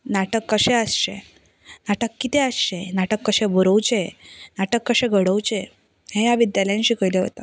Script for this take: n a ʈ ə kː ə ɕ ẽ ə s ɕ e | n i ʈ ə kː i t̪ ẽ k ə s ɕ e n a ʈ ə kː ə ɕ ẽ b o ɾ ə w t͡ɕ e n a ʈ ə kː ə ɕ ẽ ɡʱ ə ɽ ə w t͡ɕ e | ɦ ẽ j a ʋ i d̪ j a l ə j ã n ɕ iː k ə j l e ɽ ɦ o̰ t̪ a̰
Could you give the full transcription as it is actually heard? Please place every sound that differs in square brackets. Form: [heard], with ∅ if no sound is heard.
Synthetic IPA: n a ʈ ə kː ə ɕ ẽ ə s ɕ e | n [a] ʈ ə kː i t̪ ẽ [∅] ə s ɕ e n a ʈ ə kː ə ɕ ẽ b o ɾ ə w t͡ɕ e n a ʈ ə kː ə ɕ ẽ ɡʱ ə ɽ ə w t͡ɕ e | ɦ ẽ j a ʋ i d̪ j a l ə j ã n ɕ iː k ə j l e [∅] ɦ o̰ t̪ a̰

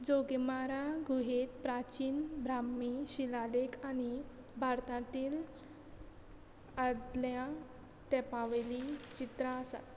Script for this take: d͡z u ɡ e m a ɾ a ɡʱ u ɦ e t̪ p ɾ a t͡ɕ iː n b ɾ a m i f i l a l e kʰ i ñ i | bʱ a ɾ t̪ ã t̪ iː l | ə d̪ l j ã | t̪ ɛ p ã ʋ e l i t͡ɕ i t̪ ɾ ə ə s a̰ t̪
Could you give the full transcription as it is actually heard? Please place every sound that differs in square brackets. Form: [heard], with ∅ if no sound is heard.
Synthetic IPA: d͡z [o] ɡ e m a ɾ a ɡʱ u ɦ e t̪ p ɾ a t͡ɕ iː n b ɾ a m i [ɕ] i l a l e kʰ [a] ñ i | bʱ a ɾ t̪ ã t̪ iː l | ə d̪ l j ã | t̪ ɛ p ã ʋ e l i t͡ɕ i t̪ ɾ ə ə s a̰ t̪

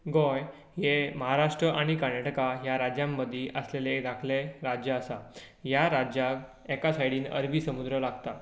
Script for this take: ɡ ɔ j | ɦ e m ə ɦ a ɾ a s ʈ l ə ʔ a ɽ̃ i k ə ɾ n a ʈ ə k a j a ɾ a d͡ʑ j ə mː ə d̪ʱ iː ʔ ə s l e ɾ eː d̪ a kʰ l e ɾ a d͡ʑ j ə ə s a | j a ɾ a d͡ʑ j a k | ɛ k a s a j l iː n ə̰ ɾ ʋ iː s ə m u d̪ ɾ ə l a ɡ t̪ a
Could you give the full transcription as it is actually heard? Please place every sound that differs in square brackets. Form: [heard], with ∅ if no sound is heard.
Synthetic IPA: ɡ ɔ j | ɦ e m ə ɦ a ɾ a [ʂ] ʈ [ɾ] ə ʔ a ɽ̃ i k ə ɾ n a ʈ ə k a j a ɾ a d͡ʑ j [a] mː ə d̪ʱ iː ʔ ə s l e [l] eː d̪ a kʰ l e ɾ a d͡ʑ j ə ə s a | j a ɾ a d͡ʑ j a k | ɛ k a s a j [ɽ] iː n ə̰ ɾ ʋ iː s ə m u d̪ ɾ ə l a ɡ t̪ a

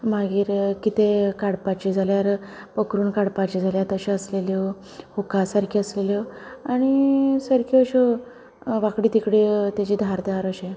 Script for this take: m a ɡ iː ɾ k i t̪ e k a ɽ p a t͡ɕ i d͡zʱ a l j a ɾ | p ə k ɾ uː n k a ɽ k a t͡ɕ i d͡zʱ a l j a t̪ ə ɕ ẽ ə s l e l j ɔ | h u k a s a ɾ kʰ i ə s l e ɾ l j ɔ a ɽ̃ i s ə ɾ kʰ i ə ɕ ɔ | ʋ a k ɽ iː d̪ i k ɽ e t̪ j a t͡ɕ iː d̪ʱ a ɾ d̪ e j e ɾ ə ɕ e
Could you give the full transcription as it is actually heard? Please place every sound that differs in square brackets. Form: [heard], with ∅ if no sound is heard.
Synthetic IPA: m a ɡ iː ɾ k i t̪ e k a ɽ p a t͡ɕ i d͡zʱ a l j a ɾ | p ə k ɾ uː n k a ɽ [p] a t͡ɕ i d͡zʱ a l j a t̪ ə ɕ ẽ ə s l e l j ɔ | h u k a s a ɾ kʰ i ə s l e [∅] l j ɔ a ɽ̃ i s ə ɾ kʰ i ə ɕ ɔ | ʋ a k ɽ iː [t̪] i k ɽ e t̪ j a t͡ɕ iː d̪ʱ a ɾ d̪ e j [a] ɾ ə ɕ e

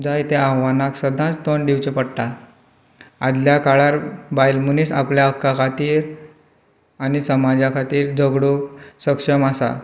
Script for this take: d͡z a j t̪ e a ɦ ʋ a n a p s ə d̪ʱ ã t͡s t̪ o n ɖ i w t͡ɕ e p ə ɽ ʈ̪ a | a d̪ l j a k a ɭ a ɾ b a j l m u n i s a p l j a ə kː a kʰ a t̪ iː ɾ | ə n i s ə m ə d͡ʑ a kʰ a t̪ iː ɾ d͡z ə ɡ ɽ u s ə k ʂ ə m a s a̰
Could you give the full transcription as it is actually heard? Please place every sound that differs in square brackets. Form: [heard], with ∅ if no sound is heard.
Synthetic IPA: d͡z a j t̪ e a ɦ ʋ a n a [k] s ə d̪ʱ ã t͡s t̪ o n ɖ i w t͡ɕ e p ə ɽ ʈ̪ a | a d̪ l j a k a ɭ a ɾ b a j l m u n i s a p l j a ə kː a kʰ a t̪ iː ɾ | [a] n i s ə m [a] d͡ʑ a kʰ a t̪ iː ɾ d͡z ə ɡ ɽ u s ə k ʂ ə m a s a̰

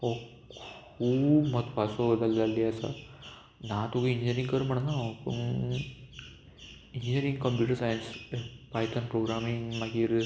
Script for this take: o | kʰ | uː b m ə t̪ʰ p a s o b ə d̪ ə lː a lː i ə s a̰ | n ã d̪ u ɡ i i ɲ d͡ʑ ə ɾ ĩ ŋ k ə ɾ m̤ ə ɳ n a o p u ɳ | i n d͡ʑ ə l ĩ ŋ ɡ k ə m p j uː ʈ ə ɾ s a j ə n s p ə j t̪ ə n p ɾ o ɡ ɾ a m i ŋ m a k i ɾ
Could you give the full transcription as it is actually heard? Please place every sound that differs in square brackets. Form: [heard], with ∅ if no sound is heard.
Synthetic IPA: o | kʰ | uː b m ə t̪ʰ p a s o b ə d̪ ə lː a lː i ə s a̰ | n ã [t̪] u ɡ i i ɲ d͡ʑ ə ɾ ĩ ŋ k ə ɾ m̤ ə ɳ n a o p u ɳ | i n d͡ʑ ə [ɾ] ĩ ŋ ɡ k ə m p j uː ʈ ə ɾ s a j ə n s p [a] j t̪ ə n p ɾ o ɡ ɾ a m i ŋ m a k i ɾ

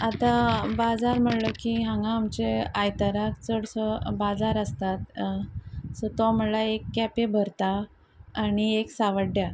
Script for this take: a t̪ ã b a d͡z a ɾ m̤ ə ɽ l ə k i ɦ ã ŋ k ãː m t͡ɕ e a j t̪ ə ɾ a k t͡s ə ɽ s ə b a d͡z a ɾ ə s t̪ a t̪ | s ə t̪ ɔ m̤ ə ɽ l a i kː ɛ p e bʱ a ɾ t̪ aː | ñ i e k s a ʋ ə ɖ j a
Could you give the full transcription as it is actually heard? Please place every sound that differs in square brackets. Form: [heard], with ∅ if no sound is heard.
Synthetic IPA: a t̪ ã b a d͡z a ɾ m̤ ə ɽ l ə k i ɦ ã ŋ [ɡ] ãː m t͡ɕ e a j t̪ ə ɾ a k t͡s ə ɽ s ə b a d͡z a ɾ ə s t̪ a t̪ | s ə t̪ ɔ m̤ ə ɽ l a [e] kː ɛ p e bʱ [ə] ɾ t̪ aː | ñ i e k s a ʋ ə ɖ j a

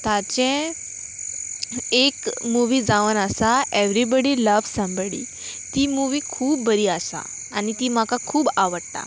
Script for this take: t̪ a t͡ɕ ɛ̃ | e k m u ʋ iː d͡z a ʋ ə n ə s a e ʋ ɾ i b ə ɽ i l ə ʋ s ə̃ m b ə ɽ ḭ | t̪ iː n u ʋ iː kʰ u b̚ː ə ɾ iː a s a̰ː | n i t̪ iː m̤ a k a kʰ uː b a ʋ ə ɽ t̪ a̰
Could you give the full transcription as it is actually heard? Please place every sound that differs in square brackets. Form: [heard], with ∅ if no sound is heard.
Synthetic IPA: t̪ a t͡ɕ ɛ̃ | e k m u ʋ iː d͡z a ʋ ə n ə s a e ʋ ɾ i b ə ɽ i l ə ʋ s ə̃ m b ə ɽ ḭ | t̪ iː [m] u ʋ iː kʰ [uː] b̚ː ə ɾ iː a s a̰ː | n i t̪ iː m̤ a k a kʰ uː b a ʋ ə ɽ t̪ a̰

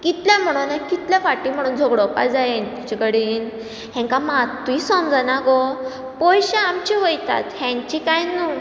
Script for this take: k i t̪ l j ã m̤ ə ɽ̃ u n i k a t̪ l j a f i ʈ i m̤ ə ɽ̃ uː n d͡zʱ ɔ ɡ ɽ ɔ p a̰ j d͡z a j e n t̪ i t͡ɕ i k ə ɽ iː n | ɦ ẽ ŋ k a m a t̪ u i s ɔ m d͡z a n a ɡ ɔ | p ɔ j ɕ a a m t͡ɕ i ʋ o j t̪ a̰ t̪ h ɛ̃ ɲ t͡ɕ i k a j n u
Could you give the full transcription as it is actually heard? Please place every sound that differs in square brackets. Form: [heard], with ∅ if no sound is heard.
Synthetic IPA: k i t̪ l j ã m̤ ə ɽ̃ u n [a] k [i] t̪ l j a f [a] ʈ i m̤ ə ɽ̃ uː n d͡zʱ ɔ ɡ ɽ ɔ p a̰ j d͡z a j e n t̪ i t͡ɕ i k ə ɽ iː n | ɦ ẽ ŋ k a m a t̪ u i s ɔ m d͡z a n a ɡ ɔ | p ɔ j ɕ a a m t͡ɕ i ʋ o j t̪ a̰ t̪ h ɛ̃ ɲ t͡ɕ i k a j n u

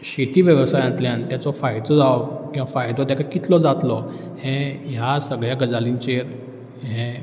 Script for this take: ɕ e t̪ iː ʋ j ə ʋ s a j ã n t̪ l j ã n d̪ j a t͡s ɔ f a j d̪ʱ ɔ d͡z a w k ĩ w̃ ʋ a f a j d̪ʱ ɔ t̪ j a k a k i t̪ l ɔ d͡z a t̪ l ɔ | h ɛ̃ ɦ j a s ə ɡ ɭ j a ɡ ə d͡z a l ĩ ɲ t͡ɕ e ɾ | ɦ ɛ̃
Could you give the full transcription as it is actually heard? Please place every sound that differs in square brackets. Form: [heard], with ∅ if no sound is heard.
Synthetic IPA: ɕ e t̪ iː ʋ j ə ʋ s a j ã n t̪ l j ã n [t̪] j a t͡s ɔ f a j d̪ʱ ɔ d͡z a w k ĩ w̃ ʋ a f a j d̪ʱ ɔ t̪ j a k a k i t̪ l ɔ d͡z a t̪ l ɔ | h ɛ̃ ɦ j a s ə ɡ ɭ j a ɡ ə d͡z a l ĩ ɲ t͡ɕ e ɾ | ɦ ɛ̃

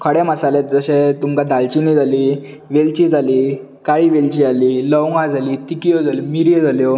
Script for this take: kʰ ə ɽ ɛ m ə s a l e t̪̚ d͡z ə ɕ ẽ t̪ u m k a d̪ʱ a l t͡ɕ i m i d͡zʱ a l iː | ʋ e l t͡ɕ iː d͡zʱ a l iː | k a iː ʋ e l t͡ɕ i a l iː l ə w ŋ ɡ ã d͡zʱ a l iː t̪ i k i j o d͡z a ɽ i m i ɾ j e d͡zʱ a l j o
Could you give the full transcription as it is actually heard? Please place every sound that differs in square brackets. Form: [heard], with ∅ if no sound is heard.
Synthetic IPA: kʰ ə ɽ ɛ m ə s a l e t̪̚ d͡z ə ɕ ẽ t̪ u m k a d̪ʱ a l t͡ɕ i [n] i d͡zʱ a l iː | ʋ e l t͡ɕ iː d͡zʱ a l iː | k a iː ʋ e l t͡ɕ i a l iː l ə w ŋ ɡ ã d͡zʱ a l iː t̪ i k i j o d͡z a [l] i m i ɾ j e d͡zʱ a l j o

